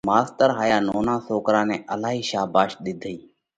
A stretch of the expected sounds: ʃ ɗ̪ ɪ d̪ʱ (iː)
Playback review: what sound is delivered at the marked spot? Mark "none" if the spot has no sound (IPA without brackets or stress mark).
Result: iː